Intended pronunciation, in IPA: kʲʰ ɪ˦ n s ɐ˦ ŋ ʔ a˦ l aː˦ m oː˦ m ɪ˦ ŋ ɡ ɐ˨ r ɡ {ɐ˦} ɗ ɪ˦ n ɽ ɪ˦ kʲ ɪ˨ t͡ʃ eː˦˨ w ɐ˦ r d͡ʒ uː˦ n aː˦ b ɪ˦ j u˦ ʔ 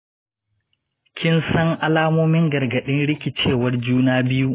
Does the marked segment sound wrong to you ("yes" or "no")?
yes